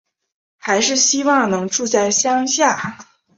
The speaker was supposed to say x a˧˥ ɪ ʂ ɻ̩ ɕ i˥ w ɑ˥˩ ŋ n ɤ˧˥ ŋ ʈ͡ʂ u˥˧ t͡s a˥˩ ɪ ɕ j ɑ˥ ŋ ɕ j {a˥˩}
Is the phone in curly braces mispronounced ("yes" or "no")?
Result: no